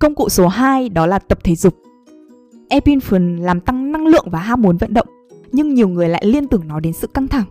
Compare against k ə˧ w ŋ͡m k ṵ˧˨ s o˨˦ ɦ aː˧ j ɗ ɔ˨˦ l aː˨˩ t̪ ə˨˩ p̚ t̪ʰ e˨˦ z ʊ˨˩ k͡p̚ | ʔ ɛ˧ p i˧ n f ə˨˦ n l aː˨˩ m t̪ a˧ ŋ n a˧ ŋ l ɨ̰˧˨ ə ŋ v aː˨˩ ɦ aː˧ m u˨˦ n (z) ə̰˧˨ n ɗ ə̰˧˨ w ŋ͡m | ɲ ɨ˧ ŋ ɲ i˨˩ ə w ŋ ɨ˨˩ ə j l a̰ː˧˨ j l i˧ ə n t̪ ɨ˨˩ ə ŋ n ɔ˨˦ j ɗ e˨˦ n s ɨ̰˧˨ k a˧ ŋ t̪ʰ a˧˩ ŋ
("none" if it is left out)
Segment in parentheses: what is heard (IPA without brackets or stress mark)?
v